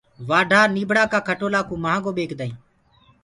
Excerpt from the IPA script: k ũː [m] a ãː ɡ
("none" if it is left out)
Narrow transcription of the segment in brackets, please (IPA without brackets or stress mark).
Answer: m